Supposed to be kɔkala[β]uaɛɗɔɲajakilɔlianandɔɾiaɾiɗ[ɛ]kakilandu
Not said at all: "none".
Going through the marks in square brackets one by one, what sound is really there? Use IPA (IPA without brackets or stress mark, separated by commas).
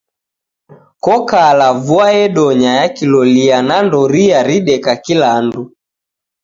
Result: v, ɛ